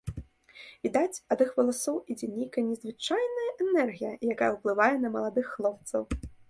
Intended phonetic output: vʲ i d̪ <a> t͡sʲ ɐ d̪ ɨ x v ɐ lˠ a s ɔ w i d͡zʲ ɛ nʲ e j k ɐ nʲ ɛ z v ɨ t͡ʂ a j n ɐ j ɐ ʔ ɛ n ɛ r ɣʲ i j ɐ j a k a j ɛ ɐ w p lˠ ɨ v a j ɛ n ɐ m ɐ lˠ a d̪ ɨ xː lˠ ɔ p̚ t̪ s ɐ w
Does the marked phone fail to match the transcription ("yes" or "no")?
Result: no